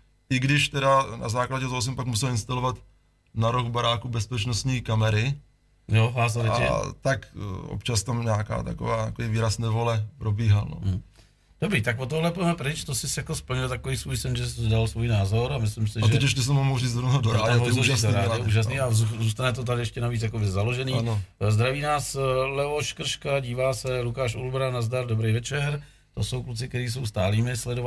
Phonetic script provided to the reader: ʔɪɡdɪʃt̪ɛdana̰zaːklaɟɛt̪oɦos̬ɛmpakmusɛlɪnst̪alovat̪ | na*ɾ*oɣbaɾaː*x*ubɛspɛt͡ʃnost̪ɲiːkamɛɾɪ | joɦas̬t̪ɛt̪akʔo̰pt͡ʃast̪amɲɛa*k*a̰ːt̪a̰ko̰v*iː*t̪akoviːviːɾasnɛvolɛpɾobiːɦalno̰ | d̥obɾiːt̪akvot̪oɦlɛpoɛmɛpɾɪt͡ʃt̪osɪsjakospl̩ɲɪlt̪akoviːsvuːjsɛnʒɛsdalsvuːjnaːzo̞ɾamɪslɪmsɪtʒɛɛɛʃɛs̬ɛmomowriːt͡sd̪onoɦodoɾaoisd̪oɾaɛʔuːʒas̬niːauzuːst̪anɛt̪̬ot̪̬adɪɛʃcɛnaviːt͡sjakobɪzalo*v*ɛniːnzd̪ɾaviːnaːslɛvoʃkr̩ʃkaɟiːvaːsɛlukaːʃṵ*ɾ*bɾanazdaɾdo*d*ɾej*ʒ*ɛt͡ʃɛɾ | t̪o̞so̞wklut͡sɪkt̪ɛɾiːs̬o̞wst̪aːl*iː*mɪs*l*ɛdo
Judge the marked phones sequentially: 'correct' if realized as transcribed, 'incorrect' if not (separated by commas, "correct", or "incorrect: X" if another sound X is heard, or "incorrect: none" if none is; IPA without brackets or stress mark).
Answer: correct, incorrect: k, correct, incorrect: aː, incorrect: ʒ, incorrect: l, incorrect: b, incorrect: v, correct, correct